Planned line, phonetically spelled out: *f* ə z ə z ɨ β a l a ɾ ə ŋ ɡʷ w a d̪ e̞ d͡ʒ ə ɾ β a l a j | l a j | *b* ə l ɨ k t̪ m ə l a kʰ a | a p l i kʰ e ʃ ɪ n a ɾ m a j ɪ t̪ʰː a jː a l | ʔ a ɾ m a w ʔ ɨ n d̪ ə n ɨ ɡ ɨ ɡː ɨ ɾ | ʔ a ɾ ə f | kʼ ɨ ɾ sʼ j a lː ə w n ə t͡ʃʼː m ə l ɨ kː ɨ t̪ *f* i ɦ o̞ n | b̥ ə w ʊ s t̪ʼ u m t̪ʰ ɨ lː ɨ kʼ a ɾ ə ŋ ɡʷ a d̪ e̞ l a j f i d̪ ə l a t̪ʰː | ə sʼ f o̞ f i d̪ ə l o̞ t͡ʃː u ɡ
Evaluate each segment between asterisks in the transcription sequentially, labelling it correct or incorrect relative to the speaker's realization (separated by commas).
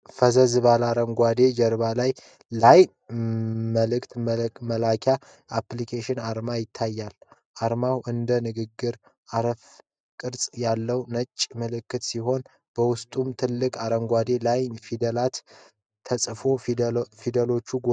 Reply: correct, incorrect, incorrect